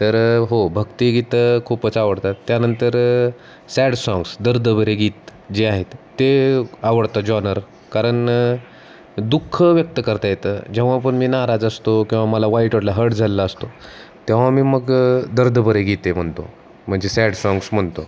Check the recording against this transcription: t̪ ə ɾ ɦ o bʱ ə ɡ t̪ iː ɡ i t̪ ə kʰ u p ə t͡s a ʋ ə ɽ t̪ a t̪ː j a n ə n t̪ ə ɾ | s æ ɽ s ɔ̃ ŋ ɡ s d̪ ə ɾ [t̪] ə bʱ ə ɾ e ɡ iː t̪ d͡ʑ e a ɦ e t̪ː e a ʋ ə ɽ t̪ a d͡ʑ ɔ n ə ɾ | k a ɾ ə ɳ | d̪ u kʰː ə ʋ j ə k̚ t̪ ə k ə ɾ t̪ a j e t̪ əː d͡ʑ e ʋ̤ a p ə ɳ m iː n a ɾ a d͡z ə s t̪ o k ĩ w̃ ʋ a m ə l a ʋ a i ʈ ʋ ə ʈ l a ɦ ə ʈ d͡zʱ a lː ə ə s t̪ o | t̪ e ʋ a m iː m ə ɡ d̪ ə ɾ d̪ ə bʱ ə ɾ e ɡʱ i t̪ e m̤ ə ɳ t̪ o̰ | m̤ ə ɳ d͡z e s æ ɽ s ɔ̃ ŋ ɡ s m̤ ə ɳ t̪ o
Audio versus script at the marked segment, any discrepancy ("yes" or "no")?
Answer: yes